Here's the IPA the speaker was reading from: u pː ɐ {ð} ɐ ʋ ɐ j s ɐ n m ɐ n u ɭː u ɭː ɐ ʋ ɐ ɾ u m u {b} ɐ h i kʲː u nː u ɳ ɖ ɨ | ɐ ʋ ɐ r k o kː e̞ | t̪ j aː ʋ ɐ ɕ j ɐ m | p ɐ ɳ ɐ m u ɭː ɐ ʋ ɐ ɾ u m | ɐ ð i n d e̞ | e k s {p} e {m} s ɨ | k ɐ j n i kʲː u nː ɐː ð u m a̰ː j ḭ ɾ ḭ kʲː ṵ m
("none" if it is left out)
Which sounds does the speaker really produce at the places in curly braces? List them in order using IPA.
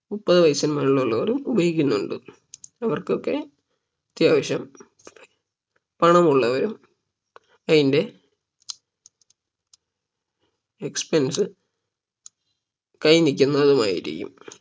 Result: ð, b, p, n

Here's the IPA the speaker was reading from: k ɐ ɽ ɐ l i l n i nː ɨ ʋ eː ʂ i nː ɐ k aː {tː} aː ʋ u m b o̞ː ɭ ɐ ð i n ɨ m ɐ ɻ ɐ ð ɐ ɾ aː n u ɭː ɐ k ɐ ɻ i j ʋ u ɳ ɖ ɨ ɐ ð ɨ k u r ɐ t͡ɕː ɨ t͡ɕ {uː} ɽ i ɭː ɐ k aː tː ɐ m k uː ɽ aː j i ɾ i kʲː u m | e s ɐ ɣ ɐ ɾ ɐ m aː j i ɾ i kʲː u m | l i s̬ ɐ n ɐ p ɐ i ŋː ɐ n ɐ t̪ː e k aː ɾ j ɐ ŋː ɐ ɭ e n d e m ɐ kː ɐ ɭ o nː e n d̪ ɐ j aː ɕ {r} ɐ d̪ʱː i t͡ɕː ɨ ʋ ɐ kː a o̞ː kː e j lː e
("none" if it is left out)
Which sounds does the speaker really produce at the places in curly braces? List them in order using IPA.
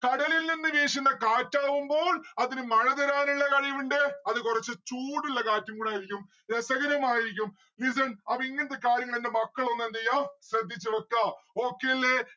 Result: tː, uː, r

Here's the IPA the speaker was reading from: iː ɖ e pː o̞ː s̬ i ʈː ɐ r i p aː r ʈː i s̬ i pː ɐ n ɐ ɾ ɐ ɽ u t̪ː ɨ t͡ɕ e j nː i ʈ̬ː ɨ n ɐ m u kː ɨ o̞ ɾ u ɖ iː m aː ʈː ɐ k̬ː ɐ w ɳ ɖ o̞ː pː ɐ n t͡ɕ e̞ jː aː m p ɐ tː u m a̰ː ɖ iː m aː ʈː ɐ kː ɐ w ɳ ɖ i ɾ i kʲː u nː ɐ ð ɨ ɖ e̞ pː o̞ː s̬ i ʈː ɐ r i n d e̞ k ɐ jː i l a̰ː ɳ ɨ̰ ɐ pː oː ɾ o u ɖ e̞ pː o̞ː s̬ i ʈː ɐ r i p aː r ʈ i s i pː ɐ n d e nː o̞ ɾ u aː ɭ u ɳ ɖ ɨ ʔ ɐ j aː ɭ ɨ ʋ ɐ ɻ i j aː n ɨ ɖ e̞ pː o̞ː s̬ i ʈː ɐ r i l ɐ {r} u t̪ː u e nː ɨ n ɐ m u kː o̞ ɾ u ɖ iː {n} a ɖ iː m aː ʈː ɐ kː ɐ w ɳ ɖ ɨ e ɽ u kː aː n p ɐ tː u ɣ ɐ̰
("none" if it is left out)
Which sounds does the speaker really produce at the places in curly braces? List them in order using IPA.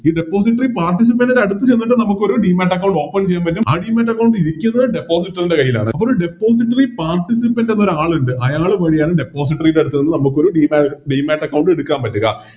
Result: ɽ, m

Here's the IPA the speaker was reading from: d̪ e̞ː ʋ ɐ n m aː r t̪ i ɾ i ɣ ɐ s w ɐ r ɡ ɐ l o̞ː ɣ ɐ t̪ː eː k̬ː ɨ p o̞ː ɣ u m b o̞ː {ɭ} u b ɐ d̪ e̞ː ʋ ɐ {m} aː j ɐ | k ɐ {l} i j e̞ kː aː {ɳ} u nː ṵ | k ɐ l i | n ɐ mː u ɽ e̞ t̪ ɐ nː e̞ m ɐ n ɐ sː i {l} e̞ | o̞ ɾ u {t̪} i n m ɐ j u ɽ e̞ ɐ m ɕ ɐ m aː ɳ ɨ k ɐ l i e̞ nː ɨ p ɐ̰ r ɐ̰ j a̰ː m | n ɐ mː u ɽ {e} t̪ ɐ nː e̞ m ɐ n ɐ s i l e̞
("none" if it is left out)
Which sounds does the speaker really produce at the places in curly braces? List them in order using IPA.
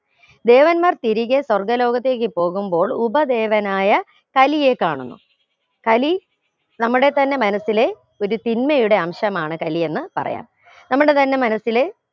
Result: ɭ, n, l, ɳ, l, t̪, e

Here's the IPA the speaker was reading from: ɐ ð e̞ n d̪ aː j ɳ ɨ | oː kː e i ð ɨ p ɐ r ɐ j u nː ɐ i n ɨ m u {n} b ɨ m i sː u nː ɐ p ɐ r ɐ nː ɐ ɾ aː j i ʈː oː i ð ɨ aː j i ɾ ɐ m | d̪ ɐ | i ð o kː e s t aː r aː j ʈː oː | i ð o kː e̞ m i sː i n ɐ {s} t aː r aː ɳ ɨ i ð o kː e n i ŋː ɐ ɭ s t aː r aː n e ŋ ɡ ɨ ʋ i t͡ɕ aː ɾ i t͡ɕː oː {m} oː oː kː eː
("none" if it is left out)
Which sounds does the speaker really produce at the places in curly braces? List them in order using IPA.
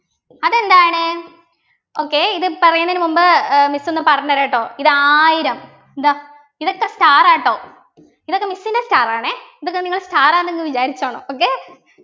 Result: m, s, ɳ

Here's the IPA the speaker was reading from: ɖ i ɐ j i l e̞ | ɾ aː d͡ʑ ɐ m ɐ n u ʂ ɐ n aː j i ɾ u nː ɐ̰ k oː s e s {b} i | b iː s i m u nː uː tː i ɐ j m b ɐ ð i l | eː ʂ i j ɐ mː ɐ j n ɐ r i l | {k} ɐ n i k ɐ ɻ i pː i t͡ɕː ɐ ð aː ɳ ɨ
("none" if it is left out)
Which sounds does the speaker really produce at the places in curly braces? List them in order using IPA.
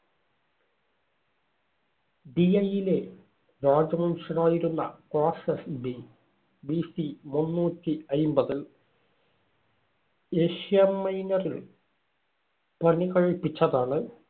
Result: b, p

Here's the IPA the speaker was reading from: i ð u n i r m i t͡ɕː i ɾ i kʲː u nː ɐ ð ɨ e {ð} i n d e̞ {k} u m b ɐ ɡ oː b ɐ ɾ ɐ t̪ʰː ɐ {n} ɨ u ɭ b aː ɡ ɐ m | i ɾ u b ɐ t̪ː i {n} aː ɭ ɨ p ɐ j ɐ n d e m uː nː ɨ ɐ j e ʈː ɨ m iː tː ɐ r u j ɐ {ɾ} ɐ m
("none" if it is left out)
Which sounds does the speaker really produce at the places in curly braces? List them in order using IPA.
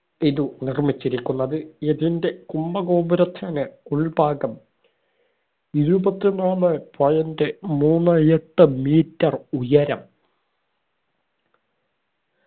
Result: ð, k, n, n, ɾ

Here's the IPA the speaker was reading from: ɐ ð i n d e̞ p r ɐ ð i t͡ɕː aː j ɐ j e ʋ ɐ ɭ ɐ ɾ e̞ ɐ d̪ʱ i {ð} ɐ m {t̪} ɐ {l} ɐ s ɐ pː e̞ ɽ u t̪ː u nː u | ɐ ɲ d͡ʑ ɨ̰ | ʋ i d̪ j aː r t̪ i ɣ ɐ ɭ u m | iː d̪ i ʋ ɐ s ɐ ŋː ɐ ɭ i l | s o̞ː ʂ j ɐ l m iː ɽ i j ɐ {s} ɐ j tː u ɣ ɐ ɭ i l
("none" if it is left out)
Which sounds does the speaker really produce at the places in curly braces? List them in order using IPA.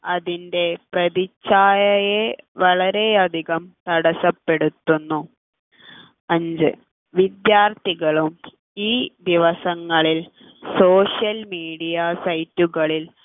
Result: ɣ, t̪, ɽ, s

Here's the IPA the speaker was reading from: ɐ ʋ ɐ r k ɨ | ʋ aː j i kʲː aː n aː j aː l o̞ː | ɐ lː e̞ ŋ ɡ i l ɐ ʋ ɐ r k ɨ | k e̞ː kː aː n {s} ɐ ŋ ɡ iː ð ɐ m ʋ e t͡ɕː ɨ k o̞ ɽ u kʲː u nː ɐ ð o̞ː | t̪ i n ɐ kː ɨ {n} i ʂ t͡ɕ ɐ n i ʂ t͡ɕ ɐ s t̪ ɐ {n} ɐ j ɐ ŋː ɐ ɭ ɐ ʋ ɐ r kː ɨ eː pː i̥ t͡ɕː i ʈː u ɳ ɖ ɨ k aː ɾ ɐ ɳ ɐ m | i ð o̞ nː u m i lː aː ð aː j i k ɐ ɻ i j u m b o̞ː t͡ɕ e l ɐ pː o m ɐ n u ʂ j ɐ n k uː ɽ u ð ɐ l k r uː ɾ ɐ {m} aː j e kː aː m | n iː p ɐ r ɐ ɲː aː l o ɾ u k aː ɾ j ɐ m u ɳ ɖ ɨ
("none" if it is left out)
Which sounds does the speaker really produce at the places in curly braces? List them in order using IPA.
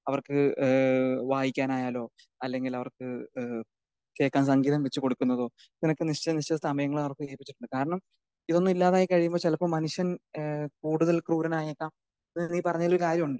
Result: s, n, m, n

